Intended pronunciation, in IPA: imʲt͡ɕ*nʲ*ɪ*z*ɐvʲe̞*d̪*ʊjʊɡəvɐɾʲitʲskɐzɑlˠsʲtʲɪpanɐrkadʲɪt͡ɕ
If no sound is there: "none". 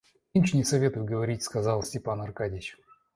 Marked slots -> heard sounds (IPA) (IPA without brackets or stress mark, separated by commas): nʲ, s, t̪